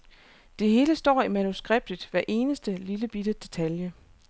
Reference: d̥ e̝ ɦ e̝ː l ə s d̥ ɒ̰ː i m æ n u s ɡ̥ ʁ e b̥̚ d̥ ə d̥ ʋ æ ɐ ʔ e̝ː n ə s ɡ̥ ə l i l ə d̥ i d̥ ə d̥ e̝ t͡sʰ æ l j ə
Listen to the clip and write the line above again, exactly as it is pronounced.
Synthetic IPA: d̥ e̝ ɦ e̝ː l ə s d̥ ɒ̰ː i m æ n u s ɡ̥ ʁ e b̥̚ d̥ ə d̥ ʋ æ ɐ ʔ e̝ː n ə s d̥ ə l i l ə b̥ i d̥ ə d̥ e̝ t͡sʰ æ l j ə